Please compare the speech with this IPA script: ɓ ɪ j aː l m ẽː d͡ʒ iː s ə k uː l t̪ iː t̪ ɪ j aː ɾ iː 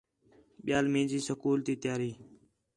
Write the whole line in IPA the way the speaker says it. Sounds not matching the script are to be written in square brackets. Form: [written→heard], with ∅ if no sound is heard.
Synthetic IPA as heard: ɓ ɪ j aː l m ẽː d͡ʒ iː s ə k uː l t̪ iː t̪ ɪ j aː ɾ iː